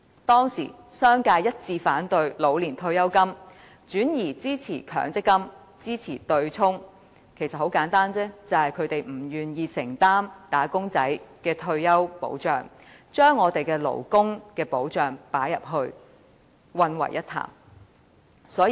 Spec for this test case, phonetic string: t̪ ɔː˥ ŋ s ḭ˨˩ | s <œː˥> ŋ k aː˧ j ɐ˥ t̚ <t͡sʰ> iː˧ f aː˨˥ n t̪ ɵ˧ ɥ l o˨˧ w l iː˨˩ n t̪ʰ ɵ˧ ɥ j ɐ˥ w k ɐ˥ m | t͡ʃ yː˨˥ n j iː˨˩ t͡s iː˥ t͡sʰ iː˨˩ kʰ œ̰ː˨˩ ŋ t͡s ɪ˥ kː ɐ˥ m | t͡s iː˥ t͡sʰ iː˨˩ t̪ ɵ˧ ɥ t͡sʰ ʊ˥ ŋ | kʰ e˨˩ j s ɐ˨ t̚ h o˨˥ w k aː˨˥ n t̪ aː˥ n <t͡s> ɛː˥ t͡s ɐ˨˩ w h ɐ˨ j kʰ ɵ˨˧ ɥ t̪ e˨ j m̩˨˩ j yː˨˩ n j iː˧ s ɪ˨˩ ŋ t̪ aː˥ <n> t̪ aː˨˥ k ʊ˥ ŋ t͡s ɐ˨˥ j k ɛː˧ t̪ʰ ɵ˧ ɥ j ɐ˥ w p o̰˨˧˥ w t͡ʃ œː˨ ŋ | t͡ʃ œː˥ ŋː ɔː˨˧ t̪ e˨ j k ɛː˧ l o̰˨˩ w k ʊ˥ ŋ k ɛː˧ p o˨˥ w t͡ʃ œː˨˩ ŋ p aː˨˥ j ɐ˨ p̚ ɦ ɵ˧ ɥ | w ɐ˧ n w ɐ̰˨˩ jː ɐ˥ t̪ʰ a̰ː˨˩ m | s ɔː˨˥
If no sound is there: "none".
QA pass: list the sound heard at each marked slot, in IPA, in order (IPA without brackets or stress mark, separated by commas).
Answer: œː˥, t͡s, t͡s, m